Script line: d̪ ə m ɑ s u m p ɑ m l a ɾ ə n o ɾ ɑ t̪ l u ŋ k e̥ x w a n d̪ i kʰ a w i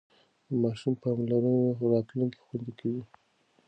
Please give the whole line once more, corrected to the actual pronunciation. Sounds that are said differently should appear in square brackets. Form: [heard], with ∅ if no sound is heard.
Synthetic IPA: d̪ ə m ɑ [ʃ] u m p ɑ m l a ɾ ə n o ɾ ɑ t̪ l u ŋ k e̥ x w a n d̪ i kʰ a w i